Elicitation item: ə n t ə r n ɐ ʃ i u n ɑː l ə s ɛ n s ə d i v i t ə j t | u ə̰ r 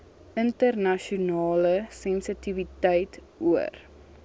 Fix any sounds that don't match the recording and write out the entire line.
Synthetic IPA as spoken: ə n t ə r n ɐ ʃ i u n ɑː l ə s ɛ n s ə t i v i t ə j t | u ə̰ r